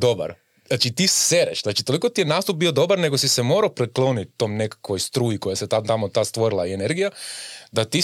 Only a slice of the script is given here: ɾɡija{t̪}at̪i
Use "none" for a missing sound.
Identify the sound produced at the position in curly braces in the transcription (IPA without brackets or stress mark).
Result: d̪